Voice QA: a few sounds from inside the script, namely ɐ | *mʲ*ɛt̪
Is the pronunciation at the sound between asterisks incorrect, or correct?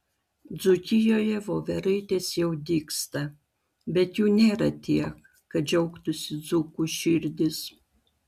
incorrect: bʲ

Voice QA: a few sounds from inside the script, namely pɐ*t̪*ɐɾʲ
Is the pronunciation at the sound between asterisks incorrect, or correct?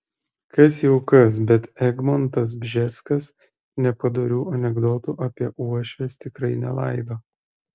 incorrect: d̪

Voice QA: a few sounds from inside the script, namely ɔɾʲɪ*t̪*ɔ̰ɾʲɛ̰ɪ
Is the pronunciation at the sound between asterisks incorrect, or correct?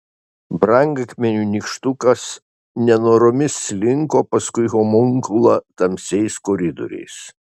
incorrect: d̪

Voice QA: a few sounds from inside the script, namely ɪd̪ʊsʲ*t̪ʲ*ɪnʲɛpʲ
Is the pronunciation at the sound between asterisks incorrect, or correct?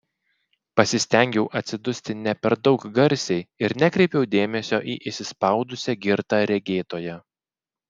correct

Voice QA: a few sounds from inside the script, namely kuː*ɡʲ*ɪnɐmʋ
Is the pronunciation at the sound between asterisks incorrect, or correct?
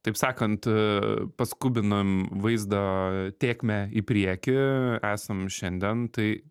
incorrect: bʲ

